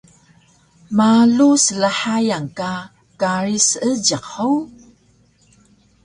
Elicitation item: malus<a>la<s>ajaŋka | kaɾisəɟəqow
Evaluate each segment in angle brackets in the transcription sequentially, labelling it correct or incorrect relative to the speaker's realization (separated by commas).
incorrect, incorrect